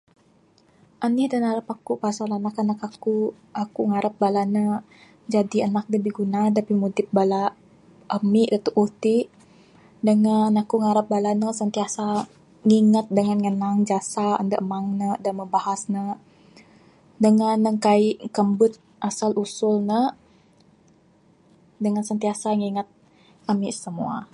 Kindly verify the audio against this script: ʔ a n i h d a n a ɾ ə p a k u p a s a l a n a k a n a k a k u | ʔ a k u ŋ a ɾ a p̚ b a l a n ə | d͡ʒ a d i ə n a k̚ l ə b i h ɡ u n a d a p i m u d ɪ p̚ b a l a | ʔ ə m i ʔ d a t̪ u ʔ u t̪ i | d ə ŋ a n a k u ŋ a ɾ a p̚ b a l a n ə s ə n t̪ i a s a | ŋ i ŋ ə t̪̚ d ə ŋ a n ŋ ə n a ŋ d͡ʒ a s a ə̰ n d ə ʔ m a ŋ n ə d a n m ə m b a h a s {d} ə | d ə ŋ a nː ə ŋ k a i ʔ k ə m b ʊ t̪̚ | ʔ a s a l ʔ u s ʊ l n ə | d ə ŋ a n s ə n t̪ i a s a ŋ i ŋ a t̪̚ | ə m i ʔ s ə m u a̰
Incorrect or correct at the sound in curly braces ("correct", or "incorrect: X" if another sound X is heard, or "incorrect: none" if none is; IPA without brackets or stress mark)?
incorrect: n